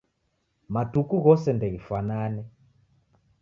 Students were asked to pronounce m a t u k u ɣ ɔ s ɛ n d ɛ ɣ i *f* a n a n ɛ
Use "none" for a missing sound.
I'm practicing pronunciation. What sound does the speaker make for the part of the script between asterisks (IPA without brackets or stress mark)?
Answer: f